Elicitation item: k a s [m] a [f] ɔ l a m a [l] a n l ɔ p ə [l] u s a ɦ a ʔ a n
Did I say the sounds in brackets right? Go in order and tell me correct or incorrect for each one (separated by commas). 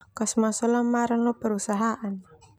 correct, incorrect, incorrect, incorrect